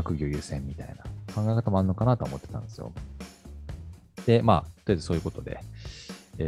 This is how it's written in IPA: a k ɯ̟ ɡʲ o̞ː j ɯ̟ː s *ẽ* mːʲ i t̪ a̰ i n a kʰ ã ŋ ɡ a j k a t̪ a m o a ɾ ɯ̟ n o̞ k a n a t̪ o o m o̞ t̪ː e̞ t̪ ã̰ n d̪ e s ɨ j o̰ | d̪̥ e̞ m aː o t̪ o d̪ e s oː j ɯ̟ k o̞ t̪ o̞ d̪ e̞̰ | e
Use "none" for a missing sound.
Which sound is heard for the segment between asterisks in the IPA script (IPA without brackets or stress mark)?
ẽ